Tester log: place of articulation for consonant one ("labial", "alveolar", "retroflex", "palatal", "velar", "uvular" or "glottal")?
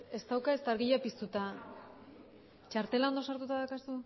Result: alveolar